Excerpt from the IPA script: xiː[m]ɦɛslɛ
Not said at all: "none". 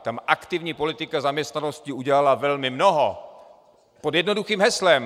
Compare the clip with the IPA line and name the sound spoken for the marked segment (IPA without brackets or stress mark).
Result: m